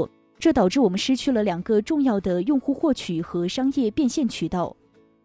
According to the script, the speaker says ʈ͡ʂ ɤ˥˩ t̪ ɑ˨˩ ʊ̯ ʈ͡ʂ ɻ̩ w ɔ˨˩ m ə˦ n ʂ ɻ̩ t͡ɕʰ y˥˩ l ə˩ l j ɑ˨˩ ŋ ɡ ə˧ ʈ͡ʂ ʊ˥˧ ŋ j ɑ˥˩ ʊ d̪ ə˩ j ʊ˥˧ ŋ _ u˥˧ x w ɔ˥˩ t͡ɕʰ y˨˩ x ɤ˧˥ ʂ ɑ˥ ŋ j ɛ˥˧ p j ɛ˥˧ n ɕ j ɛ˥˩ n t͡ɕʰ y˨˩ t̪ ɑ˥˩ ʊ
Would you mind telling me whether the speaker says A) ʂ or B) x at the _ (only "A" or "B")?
B